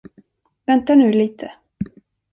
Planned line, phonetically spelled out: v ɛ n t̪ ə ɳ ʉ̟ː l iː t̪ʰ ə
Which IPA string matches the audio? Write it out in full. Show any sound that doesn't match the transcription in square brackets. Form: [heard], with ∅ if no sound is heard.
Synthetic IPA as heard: v ɛ n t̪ [a] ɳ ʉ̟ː l iː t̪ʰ ə